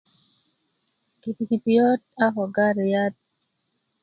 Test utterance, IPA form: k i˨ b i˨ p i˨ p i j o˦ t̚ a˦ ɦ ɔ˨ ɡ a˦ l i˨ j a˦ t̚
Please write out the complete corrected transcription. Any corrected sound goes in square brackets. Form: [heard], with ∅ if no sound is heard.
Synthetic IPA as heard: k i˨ [p] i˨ [k] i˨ p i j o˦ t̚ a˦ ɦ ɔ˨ ɡ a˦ [ɾ] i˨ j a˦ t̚